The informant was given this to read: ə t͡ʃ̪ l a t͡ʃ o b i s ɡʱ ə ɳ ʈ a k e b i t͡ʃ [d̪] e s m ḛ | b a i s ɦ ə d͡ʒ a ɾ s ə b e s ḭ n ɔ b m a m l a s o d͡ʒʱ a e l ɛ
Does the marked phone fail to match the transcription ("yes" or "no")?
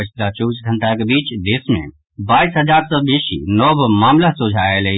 no